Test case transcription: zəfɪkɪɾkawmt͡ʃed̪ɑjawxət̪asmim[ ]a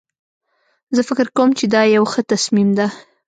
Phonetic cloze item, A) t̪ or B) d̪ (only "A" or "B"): B